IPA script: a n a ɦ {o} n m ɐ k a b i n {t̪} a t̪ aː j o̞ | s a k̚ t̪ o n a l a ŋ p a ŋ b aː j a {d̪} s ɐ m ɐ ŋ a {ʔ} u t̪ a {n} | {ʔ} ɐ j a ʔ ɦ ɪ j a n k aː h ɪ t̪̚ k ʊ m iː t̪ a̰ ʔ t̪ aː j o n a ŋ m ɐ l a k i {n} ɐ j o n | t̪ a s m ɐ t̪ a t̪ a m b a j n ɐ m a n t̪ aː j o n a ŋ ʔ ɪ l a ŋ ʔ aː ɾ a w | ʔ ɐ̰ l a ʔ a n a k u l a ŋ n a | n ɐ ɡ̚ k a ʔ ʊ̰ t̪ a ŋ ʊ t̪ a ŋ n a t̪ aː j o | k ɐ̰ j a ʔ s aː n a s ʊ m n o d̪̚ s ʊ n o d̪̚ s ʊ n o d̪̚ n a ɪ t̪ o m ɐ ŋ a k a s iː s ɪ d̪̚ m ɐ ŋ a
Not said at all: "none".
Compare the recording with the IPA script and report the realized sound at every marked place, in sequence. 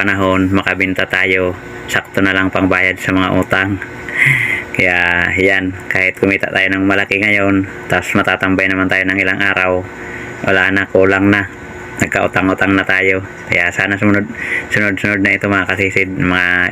o, t̪, d̪, ʔ, ŋ, k, ŋ

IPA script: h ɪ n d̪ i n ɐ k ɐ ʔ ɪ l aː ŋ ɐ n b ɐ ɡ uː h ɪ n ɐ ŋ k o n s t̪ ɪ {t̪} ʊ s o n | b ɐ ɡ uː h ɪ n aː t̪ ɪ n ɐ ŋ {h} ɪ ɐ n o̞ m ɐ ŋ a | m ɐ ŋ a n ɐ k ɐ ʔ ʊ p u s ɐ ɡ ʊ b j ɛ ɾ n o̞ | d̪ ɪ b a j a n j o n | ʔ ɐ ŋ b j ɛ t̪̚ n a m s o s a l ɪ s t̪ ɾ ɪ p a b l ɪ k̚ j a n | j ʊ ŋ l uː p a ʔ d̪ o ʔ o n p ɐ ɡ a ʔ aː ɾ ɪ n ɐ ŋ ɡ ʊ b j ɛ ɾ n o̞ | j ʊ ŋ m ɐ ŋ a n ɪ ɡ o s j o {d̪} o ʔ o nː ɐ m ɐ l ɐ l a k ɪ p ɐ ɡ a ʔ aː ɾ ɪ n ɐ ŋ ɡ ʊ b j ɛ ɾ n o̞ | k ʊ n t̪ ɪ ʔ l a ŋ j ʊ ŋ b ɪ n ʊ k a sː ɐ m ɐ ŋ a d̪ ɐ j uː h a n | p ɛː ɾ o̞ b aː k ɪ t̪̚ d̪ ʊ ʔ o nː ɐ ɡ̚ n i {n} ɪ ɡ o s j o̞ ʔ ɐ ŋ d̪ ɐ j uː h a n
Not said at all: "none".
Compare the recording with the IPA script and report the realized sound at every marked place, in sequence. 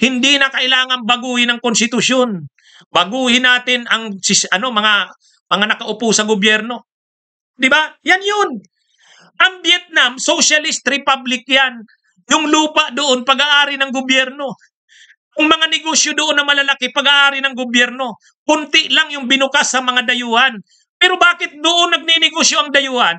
t̪, s, d̪, n

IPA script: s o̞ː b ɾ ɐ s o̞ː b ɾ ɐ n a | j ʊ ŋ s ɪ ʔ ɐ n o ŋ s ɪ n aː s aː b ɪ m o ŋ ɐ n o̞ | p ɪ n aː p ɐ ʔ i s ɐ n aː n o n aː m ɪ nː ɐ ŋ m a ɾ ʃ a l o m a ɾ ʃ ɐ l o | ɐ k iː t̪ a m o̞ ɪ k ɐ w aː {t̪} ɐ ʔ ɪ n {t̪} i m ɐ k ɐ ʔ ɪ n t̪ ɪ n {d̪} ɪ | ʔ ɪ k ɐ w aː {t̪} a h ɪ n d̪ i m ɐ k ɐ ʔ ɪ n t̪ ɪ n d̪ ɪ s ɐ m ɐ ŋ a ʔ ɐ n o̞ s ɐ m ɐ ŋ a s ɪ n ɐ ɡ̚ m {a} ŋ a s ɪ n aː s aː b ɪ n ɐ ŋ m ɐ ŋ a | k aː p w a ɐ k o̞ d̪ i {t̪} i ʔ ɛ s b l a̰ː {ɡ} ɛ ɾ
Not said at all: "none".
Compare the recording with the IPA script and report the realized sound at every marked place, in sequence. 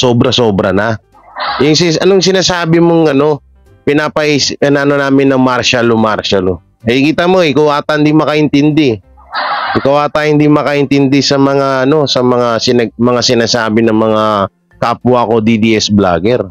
t̪, d̪, d̪, t̪, ɐ, d̪, ɡ

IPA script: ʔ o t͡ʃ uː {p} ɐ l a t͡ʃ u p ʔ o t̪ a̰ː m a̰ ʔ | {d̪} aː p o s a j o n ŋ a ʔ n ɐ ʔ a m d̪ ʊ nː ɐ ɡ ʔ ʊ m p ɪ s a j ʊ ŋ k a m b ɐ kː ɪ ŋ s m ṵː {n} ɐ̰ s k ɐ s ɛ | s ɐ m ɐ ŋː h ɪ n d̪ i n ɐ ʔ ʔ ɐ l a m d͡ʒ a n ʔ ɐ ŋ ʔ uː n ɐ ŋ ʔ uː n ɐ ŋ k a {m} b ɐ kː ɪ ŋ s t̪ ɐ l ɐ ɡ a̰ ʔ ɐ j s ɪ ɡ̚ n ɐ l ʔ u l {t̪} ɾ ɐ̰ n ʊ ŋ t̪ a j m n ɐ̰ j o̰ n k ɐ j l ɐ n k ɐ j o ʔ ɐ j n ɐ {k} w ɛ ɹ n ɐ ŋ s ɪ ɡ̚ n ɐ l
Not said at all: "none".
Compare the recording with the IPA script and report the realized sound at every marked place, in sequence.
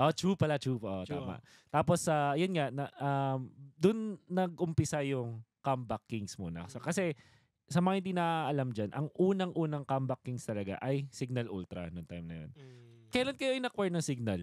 p, t̪, n, m, t̪, k

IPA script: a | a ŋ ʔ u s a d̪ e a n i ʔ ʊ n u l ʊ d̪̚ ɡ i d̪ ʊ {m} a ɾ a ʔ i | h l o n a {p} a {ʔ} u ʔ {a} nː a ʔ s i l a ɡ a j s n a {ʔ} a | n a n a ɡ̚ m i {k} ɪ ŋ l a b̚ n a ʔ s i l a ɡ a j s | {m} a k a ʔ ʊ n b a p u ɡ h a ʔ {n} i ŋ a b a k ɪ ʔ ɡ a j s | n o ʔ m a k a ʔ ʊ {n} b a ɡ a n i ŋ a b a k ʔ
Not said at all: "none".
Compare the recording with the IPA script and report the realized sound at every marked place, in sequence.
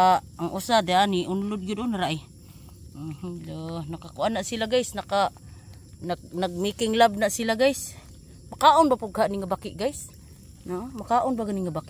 n, k, k, a, k, k, m, n, n

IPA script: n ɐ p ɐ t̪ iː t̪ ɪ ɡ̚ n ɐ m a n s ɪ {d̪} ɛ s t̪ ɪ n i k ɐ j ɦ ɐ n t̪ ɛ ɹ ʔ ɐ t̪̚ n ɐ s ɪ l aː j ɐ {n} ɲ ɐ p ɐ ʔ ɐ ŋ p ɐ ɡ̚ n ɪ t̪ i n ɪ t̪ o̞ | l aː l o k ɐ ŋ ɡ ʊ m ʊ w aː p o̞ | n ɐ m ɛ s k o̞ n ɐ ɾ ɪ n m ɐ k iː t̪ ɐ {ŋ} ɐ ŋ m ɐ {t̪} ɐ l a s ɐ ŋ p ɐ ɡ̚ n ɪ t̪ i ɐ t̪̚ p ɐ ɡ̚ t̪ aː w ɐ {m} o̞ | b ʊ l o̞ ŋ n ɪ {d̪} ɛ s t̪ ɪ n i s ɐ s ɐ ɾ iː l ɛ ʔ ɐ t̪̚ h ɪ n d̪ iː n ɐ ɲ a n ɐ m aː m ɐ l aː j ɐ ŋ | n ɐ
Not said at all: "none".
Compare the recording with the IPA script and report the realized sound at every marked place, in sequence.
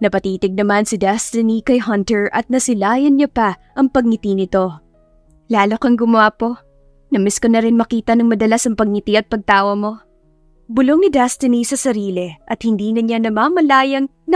d̪, n, n, d̪, m, d̪

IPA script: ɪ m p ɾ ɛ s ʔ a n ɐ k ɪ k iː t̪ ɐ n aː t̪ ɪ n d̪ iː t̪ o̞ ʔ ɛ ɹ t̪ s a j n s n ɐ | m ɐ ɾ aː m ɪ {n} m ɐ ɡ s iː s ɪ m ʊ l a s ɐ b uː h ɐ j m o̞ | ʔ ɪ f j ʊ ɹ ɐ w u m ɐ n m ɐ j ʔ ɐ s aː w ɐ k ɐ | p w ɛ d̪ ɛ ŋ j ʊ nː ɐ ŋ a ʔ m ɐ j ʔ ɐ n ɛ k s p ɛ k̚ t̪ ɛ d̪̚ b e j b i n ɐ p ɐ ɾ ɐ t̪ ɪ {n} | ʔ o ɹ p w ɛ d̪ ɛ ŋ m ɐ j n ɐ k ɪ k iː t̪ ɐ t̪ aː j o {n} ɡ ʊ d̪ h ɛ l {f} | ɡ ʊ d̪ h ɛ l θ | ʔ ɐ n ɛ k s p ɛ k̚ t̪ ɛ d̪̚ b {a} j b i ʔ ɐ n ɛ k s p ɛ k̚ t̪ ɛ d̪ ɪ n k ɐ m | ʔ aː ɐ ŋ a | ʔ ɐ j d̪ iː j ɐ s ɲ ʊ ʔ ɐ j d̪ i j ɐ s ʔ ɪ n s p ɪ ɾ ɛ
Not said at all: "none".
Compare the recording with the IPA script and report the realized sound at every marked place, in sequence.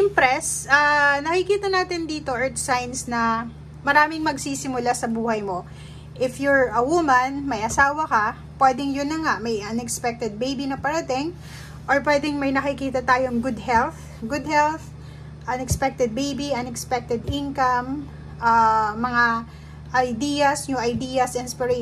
ŋ, ŋ, ŋ, θ, e

